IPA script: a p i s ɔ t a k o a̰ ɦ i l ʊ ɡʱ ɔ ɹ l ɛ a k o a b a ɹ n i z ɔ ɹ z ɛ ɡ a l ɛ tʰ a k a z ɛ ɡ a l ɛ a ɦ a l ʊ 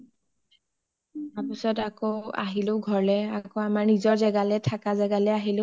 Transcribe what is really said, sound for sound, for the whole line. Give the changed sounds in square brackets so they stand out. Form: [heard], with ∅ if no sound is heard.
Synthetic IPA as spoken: a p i s ɔ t a k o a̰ ɦ i l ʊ ɡʱ ɔ ɹ l ɛ a k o a [m] a ɹ n i z ɔ ɹ z ɛ ɡ a l ɛ tʰ a k a z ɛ ɡ a l ɛ a ɦ [i] l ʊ